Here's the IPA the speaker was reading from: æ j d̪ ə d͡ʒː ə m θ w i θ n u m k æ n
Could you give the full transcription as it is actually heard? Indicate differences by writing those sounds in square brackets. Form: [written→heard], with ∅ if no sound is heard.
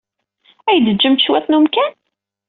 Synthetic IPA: æ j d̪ ə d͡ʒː ə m [θ→ʃ] w [i→æ] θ n u m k æ n